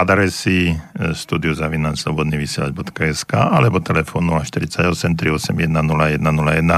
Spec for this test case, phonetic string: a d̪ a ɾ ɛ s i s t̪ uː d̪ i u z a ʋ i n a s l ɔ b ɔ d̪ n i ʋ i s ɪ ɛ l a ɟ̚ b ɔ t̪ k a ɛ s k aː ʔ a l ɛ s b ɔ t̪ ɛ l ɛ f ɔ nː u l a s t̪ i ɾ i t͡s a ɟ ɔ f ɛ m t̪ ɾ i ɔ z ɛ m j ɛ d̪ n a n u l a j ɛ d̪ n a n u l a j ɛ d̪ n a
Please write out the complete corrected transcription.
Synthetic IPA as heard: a d̪ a ɾ ɛ s i s t̪ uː d̪ i u z a ʋ i n a s l ɔ b ɔ d̪ n i ʋ i s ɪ ɛ l a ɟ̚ b ɔ t̪ k a ɛ s k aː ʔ a l ɛ b ɔ t̪ ɛ l ɛ f ɔ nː u l a ʃ t̪ i ɾ i t͡s a ɟ ɔ s ɛ m t̪ ɾ i ɔ s ɛ m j ɛ d̪ n a n u l a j ɛ d̪ n a n u l a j ɛ d̪ n a